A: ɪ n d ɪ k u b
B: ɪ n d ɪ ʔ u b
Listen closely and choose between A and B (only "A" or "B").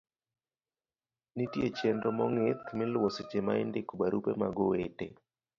A